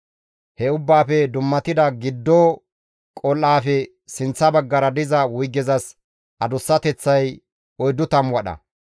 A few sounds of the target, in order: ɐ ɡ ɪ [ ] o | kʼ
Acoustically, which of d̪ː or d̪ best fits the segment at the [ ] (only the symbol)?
d̪ː